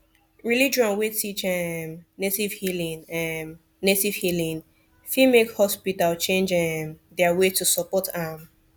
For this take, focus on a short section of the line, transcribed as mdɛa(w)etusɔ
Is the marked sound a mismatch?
no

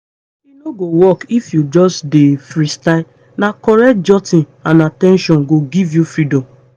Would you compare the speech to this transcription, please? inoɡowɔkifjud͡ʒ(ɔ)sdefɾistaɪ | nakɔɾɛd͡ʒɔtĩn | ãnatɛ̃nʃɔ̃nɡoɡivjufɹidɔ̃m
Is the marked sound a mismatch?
no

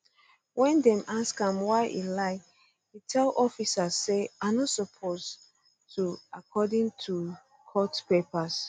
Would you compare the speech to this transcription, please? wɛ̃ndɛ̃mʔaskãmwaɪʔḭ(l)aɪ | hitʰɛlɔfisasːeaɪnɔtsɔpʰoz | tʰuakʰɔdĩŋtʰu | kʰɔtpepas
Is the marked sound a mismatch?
no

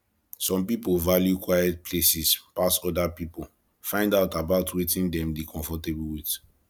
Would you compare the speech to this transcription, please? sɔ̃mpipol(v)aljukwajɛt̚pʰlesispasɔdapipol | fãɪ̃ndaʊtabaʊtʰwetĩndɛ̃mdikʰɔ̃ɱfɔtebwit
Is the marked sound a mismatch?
no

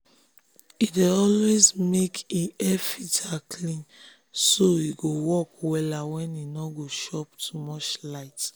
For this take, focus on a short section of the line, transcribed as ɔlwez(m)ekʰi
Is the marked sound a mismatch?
no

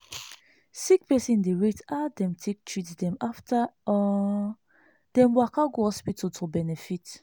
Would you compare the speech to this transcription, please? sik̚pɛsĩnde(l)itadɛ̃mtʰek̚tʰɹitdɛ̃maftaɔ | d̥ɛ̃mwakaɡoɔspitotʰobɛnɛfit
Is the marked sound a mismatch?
yes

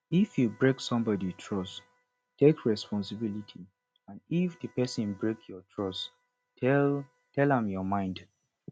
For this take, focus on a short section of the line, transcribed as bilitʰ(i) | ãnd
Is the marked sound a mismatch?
no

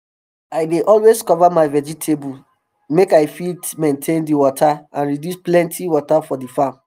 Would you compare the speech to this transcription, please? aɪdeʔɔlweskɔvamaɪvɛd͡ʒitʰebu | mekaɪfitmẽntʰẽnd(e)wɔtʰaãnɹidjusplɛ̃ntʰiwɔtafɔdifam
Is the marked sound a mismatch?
yes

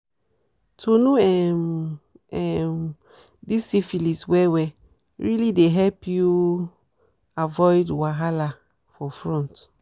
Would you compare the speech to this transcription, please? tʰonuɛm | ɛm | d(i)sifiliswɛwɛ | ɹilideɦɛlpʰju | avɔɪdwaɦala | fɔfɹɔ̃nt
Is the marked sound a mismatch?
no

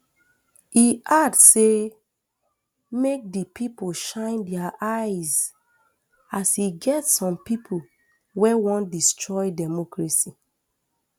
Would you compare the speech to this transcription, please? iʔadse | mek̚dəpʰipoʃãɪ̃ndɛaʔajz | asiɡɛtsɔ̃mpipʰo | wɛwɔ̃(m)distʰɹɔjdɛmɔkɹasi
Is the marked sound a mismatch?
yes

